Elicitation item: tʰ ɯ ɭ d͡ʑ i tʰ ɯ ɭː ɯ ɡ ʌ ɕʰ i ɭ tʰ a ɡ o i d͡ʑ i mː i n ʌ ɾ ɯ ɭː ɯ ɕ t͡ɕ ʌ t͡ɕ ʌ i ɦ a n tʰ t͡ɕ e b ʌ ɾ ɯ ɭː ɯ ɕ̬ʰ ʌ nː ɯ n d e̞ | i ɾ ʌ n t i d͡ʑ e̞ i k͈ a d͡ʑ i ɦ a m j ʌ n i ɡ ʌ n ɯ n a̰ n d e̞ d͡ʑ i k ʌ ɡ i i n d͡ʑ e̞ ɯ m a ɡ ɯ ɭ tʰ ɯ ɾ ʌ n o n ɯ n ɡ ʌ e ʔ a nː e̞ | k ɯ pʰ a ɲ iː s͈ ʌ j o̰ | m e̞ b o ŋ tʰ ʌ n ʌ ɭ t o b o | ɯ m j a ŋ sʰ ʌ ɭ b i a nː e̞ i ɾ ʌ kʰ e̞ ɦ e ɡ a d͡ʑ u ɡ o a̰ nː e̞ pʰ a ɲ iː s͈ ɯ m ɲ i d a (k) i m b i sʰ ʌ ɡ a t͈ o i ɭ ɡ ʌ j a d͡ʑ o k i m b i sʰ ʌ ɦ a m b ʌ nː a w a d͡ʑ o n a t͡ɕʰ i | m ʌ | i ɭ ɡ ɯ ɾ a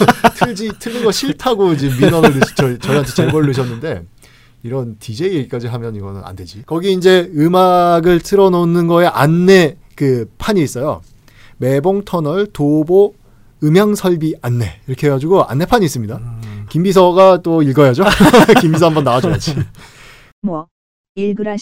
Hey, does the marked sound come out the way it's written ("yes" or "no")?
yes